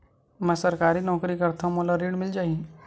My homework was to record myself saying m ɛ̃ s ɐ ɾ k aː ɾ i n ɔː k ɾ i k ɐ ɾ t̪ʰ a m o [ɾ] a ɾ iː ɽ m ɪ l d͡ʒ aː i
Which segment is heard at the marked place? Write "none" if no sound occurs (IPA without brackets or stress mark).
l